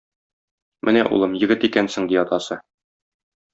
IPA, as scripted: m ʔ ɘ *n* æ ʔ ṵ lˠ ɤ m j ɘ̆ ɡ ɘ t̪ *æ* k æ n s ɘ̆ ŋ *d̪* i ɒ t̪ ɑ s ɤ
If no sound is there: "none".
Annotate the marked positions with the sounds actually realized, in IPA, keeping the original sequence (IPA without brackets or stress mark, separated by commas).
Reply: n, i, d̪